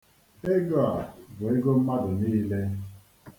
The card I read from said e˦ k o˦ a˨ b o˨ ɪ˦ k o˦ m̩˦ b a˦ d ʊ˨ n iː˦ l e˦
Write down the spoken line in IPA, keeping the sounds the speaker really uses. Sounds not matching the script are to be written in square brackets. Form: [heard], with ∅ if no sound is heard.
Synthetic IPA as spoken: e˦ [ɡ] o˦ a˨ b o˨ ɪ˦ [ɡ] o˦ m̩˦ [m] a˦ d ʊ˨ n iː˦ l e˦